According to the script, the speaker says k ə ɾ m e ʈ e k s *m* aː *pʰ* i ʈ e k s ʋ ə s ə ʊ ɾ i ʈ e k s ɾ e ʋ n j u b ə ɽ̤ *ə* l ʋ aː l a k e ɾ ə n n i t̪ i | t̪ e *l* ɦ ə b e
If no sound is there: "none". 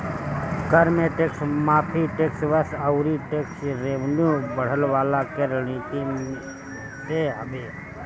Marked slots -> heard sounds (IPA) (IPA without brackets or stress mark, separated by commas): m, pʰ, ə, none